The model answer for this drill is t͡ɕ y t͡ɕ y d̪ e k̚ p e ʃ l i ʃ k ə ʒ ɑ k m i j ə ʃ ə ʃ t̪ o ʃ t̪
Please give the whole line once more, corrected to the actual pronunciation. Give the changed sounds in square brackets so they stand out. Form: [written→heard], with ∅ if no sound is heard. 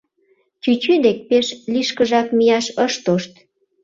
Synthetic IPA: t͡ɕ y t͡ɕ y d̪ e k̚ p e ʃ l i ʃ k ə ʒ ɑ k m i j [ə→ɑ] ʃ ə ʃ t̪ o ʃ t̪